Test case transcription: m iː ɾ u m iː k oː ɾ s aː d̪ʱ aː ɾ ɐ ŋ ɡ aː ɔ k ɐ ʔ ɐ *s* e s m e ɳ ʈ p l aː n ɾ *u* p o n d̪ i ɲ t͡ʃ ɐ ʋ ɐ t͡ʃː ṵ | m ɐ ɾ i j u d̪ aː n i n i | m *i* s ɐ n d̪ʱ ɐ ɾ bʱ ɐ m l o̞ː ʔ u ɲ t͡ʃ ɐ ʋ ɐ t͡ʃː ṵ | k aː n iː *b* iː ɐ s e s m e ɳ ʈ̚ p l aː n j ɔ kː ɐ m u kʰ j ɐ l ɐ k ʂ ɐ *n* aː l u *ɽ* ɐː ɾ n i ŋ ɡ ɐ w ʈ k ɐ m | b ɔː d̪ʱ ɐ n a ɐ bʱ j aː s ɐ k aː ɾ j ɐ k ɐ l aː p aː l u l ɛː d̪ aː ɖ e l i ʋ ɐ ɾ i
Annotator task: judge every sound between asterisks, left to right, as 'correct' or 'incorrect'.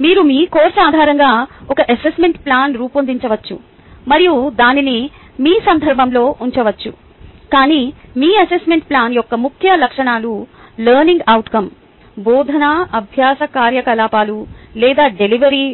correct, incorrect, incorrect, incorrect, incorrect, incorrect

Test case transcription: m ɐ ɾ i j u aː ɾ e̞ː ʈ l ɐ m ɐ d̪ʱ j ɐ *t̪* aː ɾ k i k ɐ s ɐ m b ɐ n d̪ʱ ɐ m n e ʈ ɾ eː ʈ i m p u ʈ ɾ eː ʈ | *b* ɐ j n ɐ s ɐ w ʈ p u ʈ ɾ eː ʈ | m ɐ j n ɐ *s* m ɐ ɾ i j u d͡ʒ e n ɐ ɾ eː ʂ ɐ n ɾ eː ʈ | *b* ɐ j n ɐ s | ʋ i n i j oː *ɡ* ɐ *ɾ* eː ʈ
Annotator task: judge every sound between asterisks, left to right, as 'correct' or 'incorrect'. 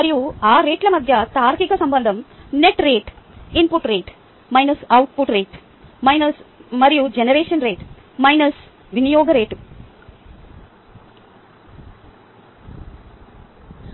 correct, incorrect, correct, incorrect, correct, correct

